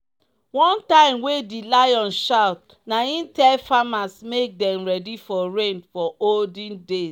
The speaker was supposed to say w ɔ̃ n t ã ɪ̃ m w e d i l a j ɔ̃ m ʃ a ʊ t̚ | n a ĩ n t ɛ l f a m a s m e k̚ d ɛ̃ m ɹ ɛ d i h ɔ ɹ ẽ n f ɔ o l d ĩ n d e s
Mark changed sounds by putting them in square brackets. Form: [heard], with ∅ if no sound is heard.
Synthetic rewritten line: w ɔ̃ n t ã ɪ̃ m w e d i l a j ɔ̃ [n] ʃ a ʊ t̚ | n a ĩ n t ɛ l f a m a s m e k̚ d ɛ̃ m ɹ ɛ d i [f] ɔ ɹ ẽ n f ɔ o l d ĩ n d e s